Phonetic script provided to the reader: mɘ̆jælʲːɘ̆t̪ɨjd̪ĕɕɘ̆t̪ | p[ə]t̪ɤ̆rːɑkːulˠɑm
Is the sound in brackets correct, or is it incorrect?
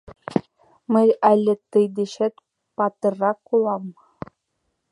incorrect